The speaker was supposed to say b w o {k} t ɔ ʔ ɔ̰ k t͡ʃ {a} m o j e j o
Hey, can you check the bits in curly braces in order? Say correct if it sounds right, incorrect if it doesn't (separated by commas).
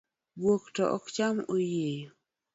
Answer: correct, correct